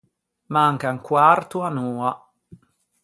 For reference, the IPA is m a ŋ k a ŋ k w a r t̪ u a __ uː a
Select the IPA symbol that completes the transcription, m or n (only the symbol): n